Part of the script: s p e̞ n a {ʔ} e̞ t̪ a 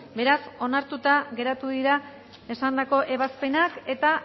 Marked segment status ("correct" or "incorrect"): incorrect